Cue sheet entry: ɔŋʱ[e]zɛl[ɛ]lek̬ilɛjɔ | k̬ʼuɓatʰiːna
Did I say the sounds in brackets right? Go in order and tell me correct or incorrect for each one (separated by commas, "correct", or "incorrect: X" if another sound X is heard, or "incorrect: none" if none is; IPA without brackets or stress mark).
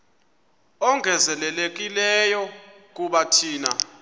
incorrect: ɛ, correct